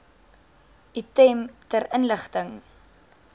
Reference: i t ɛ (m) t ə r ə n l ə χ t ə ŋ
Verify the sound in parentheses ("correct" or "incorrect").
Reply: correct